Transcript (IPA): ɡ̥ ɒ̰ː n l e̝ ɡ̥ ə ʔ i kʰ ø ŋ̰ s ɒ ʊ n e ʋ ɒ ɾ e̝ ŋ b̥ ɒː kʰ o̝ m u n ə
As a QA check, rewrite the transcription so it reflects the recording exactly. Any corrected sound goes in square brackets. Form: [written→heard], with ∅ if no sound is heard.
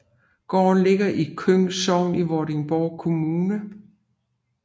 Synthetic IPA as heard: ɡ̥ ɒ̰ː n l e̝ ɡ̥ [ə→ɐ] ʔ i kʰ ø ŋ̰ s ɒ ʊ n [e→i] ʋ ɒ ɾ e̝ ŋ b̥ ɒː kʰ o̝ m [u→uː] n ə

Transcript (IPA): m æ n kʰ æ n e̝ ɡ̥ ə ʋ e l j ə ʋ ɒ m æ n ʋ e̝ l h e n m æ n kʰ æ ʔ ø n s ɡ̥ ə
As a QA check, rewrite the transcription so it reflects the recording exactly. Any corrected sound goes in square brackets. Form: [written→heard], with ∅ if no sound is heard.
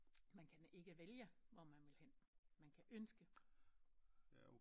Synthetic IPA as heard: m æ n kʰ æ n e̝ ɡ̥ ə ʋ e l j ə ʋ ɒ m æ n ʋ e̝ l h e n m æ n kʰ æ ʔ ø n s ɡ̥ ə

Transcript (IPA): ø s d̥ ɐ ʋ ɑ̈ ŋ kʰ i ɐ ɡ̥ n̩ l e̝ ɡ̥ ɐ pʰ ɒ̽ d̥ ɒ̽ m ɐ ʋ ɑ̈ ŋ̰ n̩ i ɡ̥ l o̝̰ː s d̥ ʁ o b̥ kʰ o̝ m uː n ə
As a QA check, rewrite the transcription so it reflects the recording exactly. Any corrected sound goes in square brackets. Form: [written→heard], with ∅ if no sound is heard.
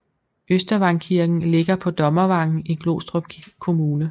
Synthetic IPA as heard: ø s d̥ ɐ ʋ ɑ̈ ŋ kʰ i ɐ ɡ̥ n̩ l e̝ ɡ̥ ɐ pʰ ɒ̽ d̥ ɒ̽ m ɐ ʋ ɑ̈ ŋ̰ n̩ i ɡ̥ l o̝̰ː s d̥ ʁ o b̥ kʰ o̝ m uː n ə

